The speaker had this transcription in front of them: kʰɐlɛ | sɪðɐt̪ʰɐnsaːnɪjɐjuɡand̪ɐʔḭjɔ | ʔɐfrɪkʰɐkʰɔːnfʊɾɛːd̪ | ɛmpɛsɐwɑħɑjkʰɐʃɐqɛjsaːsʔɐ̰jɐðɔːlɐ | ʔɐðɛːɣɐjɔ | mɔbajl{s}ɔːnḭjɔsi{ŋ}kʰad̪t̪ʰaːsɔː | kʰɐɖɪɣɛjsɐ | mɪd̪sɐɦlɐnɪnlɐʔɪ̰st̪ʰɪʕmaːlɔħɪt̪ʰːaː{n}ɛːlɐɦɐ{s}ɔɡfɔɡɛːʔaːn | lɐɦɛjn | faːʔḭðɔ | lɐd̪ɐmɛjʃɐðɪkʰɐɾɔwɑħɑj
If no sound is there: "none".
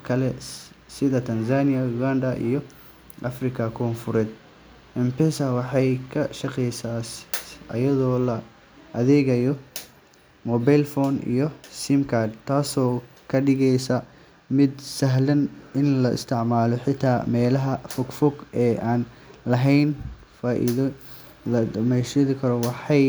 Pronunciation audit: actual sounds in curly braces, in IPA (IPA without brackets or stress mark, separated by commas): f, m, m, f